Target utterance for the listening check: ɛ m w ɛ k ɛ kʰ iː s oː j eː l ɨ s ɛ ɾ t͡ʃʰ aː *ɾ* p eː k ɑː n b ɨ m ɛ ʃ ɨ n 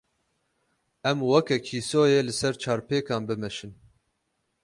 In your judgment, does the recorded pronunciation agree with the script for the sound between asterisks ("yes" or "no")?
yes